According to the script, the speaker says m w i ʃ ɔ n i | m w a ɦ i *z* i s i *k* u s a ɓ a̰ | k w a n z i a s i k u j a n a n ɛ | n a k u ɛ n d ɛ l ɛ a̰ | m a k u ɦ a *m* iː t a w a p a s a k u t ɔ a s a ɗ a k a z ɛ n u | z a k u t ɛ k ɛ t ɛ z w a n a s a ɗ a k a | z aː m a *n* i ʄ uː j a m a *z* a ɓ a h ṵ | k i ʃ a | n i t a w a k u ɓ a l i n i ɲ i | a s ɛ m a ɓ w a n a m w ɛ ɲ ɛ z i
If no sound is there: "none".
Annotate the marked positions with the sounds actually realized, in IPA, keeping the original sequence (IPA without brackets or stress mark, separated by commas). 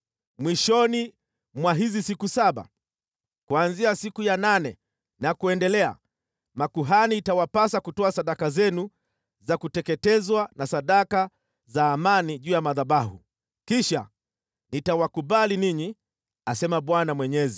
z, k, n, n, ð